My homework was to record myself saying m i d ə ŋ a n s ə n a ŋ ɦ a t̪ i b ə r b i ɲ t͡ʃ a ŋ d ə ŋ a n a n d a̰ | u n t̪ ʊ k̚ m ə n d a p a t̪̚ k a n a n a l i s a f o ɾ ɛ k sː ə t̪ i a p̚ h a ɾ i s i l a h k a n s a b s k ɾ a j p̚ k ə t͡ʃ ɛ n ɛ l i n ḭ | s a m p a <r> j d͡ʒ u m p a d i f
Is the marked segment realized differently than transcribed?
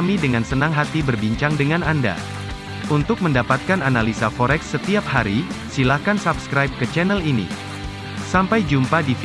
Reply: yes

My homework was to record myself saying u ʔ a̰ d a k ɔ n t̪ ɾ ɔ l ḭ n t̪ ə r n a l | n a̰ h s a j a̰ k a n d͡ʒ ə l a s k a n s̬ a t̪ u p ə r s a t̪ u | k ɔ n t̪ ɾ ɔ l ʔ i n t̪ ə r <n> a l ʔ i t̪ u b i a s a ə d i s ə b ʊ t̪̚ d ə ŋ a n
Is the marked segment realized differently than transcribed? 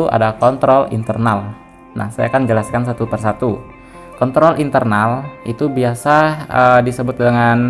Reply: no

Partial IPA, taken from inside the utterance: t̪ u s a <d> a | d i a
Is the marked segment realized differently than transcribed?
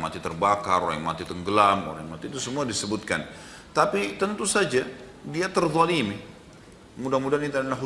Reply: yes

